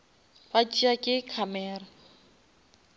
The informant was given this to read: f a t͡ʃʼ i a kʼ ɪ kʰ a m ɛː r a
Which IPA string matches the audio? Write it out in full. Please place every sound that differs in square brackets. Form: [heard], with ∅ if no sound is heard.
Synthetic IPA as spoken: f a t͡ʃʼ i a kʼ ɪ kʰ a m ɛː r a